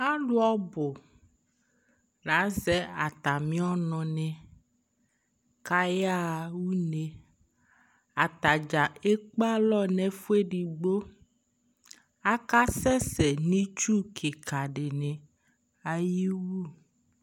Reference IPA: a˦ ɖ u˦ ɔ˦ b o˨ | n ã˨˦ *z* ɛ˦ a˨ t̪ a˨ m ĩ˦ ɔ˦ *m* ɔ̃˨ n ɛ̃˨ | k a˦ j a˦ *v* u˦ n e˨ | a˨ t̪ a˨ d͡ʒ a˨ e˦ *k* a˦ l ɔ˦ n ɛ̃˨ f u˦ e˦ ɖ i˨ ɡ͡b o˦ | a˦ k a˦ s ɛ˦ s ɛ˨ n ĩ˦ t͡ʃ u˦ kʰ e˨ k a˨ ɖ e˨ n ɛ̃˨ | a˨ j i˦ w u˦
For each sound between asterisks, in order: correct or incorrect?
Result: correct, incorrect, incorrect, incorrect

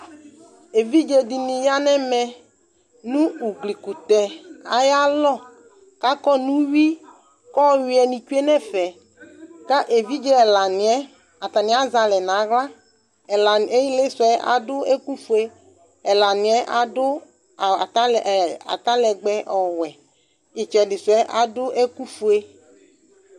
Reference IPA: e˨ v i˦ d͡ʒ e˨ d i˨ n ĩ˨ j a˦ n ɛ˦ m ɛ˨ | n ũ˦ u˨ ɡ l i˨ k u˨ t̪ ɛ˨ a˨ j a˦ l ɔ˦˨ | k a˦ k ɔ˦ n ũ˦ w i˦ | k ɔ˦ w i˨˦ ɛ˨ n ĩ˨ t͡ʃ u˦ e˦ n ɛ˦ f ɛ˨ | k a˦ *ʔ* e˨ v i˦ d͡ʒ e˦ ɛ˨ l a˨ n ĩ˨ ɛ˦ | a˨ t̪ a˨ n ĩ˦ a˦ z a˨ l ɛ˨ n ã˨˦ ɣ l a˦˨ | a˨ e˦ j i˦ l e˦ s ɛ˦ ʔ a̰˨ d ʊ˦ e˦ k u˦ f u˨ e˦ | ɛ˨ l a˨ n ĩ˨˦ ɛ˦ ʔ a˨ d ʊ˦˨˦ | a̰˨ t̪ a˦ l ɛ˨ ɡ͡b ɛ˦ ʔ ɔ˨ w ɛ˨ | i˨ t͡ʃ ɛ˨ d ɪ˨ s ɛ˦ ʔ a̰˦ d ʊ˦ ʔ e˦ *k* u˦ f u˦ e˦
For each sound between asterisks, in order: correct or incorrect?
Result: correct, correct

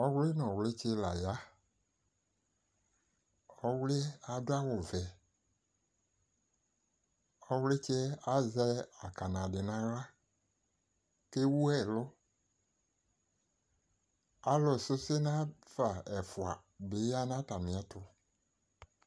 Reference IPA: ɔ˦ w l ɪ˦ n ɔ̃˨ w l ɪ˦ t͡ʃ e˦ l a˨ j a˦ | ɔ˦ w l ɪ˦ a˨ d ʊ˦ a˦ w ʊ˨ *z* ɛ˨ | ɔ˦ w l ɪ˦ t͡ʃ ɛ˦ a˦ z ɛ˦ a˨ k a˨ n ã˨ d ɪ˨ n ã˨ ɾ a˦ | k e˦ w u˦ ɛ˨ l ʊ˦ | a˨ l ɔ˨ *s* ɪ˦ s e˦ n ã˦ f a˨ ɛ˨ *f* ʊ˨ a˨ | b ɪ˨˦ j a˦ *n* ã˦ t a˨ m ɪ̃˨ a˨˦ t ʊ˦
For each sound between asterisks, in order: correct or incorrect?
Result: incorrect, correct, correct, correct

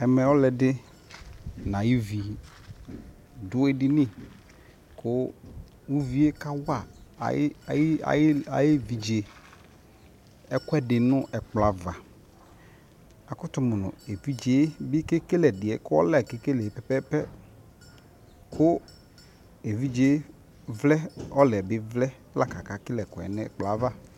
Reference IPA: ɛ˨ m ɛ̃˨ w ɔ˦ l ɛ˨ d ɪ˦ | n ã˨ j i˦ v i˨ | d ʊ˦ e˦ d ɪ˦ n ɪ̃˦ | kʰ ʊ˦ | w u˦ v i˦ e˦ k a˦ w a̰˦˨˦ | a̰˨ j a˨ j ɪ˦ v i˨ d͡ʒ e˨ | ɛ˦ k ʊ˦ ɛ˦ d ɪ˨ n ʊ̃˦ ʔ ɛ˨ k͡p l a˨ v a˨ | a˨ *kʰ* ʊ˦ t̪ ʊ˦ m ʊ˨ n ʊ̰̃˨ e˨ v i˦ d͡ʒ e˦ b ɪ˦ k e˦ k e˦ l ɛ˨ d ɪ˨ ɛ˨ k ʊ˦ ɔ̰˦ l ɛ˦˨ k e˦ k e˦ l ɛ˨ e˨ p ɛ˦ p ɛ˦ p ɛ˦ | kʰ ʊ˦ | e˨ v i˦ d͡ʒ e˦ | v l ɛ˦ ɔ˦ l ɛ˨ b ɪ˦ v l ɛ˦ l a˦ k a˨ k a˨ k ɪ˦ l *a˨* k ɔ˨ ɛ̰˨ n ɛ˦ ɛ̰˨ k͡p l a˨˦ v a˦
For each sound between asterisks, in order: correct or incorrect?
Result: incorrect, incorrect

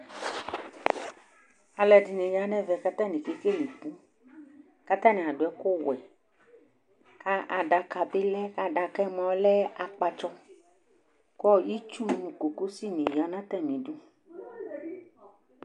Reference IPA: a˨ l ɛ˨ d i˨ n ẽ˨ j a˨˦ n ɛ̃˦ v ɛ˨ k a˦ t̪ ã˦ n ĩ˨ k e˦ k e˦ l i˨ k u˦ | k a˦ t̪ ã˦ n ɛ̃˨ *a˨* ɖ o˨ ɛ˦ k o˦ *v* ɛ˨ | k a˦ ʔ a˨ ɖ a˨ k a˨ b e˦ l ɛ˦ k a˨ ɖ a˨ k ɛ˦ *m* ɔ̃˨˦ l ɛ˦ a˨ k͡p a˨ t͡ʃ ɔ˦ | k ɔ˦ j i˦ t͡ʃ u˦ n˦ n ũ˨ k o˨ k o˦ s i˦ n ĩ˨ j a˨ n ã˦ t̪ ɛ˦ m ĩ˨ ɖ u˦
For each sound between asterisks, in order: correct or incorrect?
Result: correct, incorrect, correct

